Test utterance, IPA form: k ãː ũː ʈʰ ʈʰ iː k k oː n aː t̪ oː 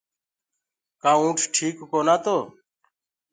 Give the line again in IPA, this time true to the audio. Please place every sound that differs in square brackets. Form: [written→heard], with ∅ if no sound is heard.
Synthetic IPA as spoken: k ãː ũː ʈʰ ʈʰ iː k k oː n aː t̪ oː

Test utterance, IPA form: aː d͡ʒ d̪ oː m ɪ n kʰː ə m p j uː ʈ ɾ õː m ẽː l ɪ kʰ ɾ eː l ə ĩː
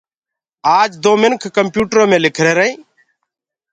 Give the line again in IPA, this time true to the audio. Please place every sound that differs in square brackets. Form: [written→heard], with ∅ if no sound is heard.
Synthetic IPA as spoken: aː d͡ʒ d̪ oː m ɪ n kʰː ə m p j uː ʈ ɾ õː m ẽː l ɪ kʰ ɾ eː [l→ɾ] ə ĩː

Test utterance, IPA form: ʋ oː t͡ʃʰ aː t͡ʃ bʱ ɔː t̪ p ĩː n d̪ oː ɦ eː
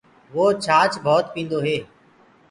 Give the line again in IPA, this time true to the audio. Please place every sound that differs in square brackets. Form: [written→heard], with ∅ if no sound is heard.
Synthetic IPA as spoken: ʋ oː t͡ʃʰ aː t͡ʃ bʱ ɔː t̪ p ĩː n d̪ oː ɦ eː

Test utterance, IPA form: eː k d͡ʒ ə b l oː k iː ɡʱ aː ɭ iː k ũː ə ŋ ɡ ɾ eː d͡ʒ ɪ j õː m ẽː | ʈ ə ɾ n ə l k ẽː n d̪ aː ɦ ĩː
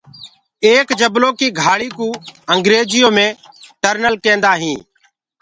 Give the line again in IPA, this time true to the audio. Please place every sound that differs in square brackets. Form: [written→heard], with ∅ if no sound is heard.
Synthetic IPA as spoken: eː k d͡ʒ ə b l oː k iː ɡʱ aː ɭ iː k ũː ə ŋ ɡ ɾ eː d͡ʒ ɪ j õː m ẽː | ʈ ə ɾ n ə l k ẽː n d̪ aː ɦ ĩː

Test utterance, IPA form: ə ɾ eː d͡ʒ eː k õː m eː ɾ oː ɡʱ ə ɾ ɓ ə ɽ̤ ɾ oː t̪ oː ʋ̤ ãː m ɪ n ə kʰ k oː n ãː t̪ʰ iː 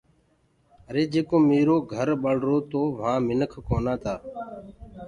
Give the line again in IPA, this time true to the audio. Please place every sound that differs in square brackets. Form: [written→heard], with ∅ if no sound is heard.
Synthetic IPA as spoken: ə ɾ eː d͡ʒ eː k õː m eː ɾ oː ɡʱ ə ɾ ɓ ə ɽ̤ ɾ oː t̪ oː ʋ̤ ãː m ɪ n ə kʰ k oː n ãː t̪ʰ [iː→aː]

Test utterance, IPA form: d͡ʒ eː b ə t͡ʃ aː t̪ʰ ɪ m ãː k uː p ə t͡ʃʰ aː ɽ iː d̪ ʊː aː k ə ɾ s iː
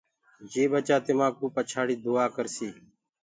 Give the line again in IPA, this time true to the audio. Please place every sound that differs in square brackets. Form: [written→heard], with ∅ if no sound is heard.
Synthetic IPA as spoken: d͡ʒ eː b ə t͡ʃ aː [t̪ʰ→t̪] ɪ m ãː k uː p ə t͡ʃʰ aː ɽ iː d̪ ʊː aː k ə ɾ s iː

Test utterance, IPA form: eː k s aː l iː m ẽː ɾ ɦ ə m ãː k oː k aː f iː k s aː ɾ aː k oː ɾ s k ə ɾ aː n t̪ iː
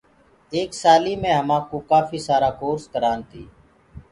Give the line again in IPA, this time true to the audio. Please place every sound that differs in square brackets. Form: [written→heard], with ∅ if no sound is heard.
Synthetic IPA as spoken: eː k s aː l iː m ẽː [ɾ→∅] ɦ ə m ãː k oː k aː f iː [k→∅] s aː ɾ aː k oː ɾ s k ə ɾ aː n t̪ iː

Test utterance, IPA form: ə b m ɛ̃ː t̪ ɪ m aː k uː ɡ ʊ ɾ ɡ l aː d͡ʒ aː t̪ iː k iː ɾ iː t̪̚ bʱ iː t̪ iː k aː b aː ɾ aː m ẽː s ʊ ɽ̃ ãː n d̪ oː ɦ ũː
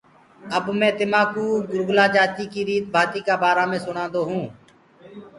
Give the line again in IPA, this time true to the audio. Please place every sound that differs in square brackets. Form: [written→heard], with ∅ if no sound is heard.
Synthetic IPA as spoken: ə b m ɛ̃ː t̪ ɪ m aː k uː ɡ ʊ ɾ ɡ l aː d͡ʒ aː t̪ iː k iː ɾ iː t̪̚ bʱ [iː→aː] t̪ iː k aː b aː ɾ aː m ẽː s ʊ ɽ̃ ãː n d̪ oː ɦ ũː

